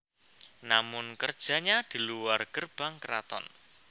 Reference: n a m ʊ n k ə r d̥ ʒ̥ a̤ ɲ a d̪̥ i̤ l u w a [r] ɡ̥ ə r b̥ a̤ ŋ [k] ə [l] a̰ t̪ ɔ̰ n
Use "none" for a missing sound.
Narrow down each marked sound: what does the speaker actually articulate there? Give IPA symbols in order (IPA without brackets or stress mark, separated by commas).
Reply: r, k, ɾ